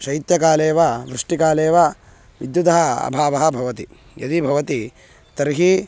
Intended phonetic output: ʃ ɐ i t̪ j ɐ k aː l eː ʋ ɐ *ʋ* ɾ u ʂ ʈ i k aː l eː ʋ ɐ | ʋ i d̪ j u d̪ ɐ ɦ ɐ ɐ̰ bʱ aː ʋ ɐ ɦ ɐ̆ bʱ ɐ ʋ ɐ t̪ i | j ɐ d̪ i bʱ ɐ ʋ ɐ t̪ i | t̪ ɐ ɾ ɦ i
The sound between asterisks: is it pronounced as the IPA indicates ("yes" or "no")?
yes